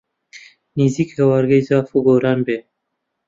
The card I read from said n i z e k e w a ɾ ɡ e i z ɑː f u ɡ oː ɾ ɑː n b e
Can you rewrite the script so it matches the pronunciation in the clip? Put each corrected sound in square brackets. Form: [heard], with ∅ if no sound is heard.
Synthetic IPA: n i z [i] k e w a ɾ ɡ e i z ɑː f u ɡ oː ɾ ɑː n b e